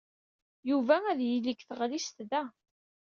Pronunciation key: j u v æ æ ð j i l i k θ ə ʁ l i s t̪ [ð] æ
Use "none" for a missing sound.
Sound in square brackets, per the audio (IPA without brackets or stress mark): ð